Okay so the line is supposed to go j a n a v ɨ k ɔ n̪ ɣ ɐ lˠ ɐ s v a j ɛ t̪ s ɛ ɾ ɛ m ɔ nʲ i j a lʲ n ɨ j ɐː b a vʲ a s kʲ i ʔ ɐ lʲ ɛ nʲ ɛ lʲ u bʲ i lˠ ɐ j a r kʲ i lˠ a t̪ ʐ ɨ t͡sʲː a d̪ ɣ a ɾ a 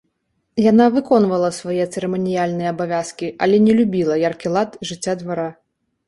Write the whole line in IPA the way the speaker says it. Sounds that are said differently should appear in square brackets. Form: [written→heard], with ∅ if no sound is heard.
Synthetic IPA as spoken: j a n a v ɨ k ɔ n̪ [ɣ→v] ɐ lˠ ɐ s v a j ɛ t̪ s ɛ ɾ ɛ m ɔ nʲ i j a lʲ n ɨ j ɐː b a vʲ a s kʲ i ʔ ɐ lʲ ɛ nʲ ɛ lʲ u bʲ i lˠ ɐ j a r kʲ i lˠ a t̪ ʐ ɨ t͡sʲː a d̪ [ɣ→v] a ɾ a

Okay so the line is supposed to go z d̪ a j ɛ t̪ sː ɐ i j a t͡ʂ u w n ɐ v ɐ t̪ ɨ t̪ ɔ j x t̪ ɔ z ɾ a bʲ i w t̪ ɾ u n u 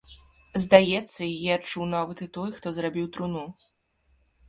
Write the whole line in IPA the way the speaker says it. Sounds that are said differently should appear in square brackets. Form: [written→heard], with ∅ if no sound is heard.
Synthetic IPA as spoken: z d̪ a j ɛ t̪ sː ɐ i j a t͡ʂ u w n [ɐ→a] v ɐ t̪ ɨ t̪ ɔ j x t̪ ɔ z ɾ a bʲ i w t̪ ɾ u n u

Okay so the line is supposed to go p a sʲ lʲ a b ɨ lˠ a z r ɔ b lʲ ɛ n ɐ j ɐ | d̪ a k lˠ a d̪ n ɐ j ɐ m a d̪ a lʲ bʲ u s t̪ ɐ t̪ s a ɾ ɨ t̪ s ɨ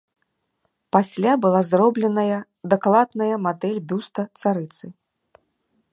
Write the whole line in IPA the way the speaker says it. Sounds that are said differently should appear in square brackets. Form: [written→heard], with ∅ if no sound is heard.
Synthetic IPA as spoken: p a sʲ lʲ a b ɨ lˠ a z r ɔ b lʲ ɛ n ɐ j ɐ | d̪ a k lˠ a d̪ n ɐ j ɐ m a d̪ [a→ɛ] lʲ bʲ u s t̪ ɐ t̪ s a ɾ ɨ t̪ s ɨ

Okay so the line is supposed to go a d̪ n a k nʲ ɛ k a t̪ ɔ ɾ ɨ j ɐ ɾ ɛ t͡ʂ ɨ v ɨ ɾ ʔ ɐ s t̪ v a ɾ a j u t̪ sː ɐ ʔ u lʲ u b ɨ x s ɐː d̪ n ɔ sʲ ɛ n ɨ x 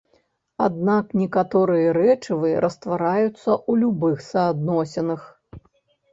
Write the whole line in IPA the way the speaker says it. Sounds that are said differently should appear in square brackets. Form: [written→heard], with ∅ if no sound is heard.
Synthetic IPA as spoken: a d̪ n a k nʲ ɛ k a t̪ ɔ ɾ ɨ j ɐ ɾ ɛ t͡ʂ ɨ v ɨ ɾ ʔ ɐ s t̪ v a ɾ a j u t̪ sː ɐ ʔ u lʲ u b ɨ x s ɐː d̪ n ɔ sʲ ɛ n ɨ x

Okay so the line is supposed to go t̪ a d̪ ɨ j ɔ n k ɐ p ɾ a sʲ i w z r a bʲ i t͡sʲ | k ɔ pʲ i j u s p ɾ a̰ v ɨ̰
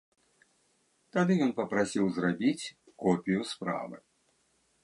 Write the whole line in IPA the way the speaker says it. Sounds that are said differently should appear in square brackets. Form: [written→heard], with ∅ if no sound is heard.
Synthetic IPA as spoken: t̪ a d̪ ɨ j ɔ n [k→p] ɐ p ɾ a sʲ i w z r a bʲ i t͡sʲ | k ɔ pʲ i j u s p ɾ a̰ v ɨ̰

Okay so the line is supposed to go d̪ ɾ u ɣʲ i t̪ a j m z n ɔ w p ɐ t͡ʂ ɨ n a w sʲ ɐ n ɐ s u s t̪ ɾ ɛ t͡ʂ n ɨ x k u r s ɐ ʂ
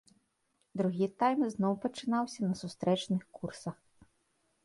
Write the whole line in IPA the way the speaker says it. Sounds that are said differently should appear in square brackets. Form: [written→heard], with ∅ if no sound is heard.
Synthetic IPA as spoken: d̪ ɾ u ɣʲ i t̪ a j m z n ɔ w p ɐ t͡ʂ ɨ n a w sʲ ɐ n ɐ s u s t̪ ɾ ɛ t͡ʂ n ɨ x k u r s ɐ [ʂ→x]

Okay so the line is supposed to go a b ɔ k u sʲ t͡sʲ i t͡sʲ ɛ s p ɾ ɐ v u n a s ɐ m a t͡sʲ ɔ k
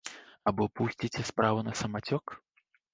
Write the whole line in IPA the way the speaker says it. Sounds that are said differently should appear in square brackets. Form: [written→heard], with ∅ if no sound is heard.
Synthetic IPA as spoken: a b ɔ [k→p] u sʲ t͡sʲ i t͡sʲ ɛ s p ɾ [ɐ→a] v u n [a→ɐ] s ɐ m a t͡sʲ ɔ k

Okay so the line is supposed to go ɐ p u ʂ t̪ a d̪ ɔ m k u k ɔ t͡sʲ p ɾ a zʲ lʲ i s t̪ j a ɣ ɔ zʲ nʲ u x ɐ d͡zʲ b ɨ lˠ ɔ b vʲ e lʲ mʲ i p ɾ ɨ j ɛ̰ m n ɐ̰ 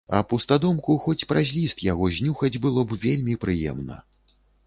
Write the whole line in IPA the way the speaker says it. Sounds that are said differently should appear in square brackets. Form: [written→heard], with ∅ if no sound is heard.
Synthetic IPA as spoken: ɐ p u [ʂ→s] t̪ a d̪ ɔ m k u [k→x] ɔ t͡sʲ p ɾ a zʲ lʲ i s t̪ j a ɣ ɔ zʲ nʲ u x ɐ d͡zʲ b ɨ lˠ ɔ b vʲ e lʲ mʲ i p ɾ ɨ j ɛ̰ m n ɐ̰

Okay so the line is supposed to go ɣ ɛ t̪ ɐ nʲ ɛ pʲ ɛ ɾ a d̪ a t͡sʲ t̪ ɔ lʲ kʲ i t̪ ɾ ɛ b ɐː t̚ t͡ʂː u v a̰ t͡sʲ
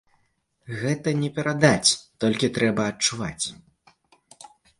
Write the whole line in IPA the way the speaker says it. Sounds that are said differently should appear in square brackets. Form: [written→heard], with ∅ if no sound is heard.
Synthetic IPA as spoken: ɣ ɛ t̪ ɐ nʲ ɛ pʲ ɛ ɾ a d̪ a t͡sʲ t̪ ɔ lʲ kʲ i t̪ ɾ ɛ b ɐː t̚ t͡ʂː u v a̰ t͡sʲ

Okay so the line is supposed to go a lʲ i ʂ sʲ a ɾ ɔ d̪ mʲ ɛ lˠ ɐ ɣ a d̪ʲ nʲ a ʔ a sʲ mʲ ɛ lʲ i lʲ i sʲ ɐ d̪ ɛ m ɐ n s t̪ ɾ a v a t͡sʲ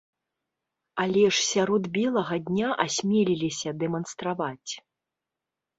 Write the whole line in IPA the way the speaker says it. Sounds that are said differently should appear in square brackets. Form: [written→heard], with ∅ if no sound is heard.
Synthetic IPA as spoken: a lʲ [i→ɛ] ʂ sʲ a ɾ ɔ d̪ [mʲ→bʲ] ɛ lˠ ɐ ɣ [a→ɐ] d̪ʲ nʲ a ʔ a sʲ mʲ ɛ lʲ i lʲ i sʲ ɐ d̪ ɛ m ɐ n s t̪ ɾ a v a t͡sʲ

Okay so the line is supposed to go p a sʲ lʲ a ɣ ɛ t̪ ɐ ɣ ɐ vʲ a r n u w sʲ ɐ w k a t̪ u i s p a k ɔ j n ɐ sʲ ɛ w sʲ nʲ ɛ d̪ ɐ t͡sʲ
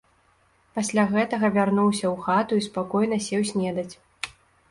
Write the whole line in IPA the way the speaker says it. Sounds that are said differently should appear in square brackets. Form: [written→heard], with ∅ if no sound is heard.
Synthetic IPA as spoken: p a sʲ lʲ a ɣ ɛ t̪ ɐ ɣ ɐ vʲ a r n u w sʲ ɐ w [k→x] a t̪ u i s p a k ɔ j n ɐ sʲ ɛ w sʲ nʲ ɛ d̪ ɐ t͡sʲ

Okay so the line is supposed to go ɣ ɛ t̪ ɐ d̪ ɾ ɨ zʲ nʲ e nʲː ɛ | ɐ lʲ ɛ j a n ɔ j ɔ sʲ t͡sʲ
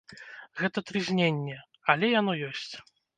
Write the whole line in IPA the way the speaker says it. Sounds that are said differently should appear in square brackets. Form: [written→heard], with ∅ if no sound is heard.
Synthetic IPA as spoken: ɣ ɛ t̪ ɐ [d̪→t̪] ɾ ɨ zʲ nʲ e nʲː ɛ | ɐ lʲ ɛ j a n ɔ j ɔ sʲ t͡sʲ

